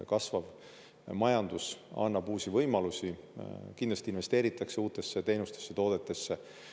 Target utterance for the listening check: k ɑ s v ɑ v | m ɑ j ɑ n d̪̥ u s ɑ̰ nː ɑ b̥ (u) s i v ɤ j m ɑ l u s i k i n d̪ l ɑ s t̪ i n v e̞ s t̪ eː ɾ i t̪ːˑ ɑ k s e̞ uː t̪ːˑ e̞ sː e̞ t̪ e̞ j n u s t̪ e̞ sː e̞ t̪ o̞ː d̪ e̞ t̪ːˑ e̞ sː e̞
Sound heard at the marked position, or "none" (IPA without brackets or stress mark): uː